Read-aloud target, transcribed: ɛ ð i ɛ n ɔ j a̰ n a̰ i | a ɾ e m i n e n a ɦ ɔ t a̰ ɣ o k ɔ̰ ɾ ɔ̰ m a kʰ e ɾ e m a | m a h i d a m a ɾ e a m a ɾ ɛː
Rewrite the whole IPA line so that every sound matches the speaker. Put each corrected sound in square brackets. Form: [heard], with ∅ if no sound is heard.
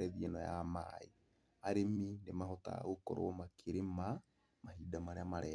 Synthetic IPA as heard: ɛ ð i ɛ n ɔ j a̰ [m] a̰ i | a ɾ e m i n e [m] a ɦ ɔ t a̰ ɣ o k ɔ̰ ɾ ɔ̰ m a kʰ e ɾ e m a | m a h i d a m a ɾ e a m a ɾ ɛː